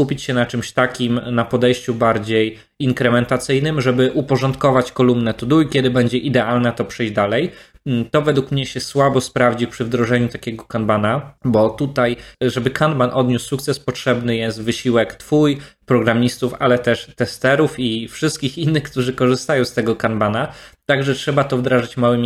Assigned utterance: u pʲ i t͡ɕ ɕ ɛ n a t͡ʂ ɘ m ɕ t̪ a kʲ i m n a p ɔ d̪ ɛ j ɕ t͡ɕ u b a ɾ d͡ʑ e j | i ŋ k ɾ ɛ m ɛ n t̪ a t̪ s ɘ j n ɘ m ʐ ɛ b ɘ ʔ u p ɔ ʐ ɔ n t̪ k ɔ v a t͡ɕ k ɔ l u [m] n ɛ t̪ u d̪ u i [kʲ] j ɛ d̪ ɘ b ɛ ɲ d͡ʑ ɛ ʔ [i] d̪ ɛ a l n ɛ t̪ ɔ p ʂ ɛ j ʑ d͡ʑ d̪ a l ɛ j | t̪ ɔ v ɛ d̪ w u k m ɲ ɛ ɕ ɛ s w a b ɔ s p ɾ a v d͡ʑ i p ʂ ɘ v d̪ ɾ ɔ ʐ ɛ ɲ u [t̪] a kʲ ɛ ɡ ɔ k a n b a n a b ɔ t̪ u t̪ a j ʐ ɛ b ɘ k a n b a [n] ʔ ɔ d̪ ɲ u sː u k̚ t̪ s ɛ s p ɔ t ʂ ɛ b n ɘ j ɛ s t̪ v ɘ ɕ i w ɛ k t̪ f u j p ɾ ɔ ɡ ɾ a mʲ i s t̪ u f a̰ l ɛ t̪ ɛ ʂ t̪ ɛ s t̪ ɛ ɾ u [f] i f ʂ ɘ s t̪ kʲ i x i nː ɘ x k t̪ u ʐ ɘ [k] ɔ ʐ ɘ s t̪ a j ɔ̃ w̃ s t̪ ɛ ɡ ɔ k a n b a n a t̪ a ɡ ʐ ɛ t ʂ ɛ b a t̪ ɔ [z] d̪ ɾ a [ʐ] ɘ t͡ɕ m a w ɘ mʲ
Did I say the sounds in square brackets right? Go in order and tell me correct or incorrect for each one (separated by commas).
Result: correct, correct, correct, correct, correct, correct, correct, incorrect, correct